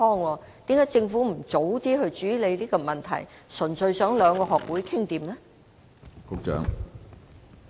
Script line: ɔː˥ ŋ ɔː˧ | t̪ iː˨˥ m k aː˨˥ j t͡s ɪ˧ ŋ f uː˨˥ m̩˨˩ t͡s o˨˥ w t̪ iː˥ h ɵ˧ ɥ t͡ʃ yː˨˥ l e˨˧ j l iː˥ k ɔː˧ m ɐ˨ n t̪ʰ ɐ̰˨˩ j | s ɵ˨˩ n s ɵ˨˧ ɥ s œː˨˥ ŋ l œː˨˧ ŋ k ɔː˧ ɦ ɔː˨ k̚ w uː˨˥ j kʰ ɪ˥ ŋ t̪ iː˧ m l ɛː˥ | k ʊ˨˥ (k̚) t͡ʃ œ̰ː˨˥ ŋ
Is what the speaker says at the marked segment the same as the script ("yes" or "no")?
yes